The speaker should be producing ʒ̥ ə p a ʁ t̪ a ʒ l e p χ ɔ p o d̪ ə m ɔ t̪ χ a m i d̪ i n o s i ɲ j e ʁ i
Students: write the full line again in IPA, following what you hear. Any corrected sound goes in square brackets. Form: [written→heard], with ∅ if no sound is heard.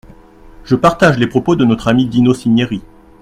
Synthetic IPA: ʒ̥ ə p a ʁ t̪ a ʒ l e p χ ɔ p o d̪ ə [m→n] ɔ t̪ χ a m i d̪ i n o s i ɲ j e ʁ i